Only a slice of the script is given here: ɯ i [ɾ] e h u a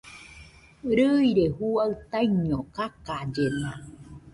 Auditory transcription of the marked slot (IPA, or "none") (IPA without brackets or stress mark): ɾ